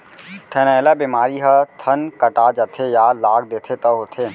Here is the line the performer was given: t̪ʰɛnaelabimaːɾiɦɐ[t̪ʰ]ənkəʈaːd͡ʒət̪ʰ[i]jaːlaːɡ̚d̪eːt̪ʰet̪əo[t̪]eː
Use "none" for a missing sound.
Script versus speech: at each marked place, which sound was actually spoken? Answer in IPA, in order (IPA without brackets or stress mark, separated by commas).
t̪ʰ, e, t̪ʰ